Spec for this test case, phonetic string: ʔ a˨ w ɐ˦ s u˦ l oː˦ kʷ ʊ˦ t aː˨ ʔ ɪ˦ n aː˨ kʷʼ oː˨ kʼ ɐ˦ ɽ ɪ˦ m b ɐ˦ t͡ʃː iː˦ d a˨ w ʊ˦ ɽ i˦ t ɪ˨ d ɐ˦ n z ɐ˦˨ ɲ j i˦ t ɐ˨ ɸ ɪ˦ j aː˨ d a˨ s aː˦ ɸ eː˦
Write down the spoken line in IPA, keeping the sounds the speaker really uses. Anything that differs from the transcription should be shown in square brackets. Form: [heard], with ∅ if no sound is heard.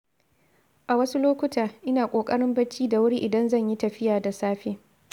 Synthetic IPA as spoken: ʔ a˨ w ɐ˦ s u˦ l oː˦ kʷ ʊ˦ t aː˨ ʔ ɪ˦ n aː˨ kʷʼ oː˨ kʼ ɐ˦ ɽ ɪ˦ m b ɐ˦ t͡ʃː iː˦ d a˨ w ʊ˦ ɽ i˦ [ʔ] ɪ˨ d ɐ˦ n z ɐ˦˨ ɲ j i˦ t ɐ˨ ɸ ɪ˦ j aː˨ d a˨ s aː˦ ɸ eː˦